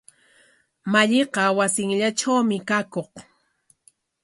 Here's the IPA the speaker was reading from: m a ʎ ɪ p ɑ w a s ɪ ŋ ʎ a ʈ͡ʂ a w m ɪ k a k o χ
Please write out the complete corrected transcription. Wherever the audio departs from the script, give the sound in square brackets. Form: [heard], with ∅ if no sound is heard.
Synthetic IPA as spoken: m a ʎ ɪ [q] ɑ w a s ɪ ŋ ʎ a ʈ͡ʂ a w m ɪ k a k o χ